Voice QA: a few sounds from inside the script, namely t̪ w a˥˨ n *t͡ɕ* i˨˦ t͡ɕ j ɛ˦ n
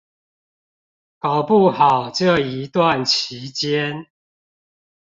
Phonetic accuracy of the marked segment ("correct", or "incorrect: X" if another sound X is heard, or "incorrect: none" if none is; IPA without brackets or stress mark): incorrect: t͡ɕʰ